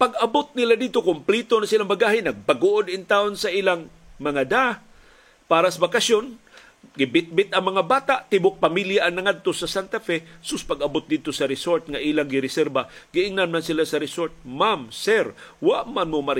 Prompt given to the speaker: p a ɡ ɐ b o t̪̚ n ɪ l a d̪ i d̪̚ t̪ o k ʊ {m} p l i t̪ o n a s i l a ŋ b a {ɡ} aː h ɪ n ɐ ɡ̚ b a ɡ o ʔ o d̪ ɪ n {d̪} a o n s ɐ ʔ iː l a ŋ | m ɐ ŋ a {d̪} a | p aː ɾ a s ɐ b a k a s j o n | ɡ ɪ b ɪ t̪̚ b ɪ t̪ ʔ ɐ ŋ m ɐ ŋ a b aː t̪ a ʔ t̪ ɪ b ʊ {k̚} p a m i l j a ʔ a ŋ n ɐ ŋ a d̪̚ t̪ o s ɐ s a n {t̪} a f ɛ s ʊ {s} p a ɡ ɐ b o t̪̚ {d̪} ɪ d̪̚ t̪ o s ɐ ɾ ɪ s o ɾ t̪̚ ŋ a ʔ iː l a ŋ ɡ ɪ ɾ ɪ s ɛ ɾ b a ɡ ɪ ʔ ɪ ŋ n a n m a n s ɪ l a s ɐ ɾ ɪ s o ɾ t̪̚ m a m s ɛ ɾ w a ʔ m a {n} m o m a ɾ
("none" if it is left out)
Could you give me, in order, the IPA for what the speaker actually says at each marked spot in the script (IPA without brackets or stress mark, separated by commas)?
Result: m, ɡ, t̪, d̪, k̚, t̪, s, d̪, n